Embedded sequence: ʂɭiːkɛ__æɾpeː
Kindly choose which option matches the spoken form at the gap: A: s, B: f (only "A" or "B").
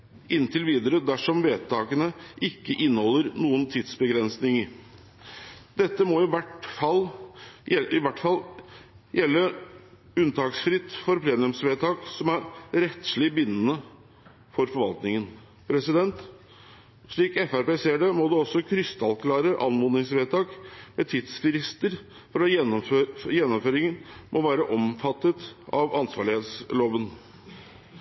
B